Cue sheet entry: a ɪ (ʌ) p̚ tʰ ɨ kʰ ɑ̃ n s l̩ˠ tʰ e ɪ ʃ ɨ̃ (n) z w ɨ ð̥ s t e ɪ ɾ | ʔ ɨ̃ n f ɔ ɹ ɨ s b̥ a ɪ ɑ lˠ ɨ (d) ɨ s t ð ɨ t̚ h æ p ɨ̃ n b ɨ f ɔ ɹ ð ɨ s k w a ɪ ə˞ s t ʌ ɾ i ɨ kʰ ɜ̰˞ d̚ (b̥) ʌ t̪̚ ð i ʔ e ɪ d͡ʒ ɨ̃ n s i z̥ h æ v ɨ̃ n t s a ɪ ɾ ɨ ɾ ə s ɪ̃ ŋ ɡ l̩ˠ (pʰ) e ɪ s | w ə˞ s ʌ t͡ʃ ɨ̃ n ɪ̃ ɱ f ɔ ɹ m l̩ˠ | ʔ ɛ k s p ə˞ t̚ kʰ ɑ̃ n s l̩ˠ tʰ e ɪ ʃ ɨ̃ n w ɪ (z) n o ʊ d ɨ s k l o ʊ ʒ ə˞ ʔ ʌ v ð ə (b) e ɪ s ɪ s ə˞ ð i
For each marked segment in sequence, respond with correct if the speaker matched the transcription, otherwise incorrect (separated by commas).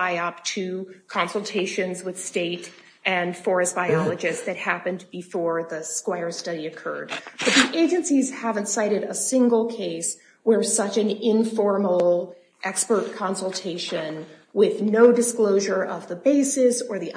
correct, correct, incorrect, correct, incorrect, incorrect, correct